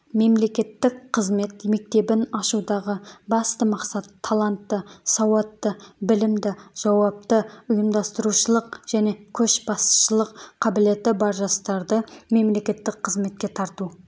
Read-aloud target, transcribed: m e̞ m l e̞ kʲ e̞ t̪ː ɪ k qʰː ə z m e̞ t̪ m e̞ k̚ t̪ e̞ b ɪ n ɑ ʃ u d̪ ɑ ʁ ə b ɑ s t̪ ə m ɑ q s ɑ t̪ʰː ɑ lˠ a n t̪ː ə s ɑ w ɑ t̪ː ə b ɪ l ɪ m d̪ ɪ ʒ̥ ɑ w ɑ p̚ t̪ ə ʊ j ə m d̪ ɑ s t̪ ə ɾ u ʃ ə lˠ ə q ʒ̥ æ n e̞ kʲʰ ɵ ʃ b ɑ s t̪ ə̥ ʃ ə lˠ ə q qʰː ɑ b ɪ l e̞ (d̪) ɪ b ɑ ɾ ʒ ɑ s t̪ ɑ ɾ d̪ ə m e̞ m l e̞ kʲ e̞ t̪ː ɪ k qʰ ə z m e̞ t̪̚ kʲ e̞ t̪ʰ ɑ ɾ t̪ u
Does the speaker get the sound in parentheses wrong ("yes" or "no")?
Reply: yes